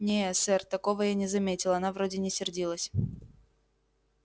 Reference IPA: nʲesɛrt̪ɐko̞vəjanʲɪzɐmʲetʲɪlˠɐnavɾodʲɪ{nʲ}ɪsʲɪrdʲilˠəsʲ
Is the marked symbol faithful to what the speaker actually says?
yes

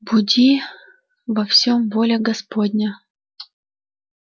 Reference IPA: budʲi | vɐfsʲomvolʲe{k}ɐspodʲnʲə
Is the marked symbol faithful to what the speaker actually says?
no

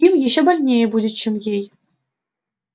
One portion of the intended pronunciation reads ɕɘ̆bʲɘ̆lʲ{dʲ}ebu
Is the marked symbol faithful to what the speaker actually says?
no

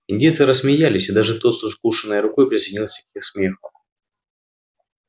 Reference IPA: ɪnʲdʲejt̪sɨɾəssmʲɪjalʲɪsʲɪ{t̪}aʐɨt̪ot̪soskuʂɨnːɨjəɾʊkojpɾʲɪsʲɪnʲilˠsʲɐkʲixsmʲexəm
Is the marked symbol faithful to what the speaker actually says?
no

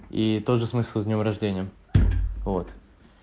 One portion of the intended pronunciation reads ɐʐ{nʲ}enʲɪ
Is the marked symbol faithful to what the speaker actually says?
no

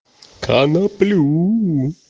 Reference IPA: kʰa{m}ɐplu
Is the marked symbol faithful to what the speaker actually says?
no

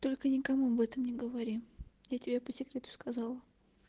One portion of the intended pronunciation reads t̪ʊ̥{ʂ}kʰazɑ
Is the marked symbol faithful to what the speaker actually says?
no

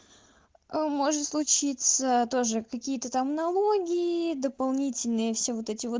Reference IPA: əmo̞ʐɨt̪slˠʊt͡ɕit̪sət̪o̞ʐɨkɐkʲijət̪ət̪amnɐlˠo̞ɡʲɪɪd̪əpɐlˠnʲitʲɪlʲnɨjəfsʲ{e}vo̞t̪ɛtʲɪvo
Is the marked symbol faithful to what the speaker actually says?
yes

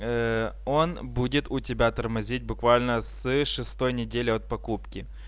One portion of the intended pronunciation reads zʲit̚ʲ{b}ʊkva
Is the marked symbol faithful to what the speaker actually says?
yes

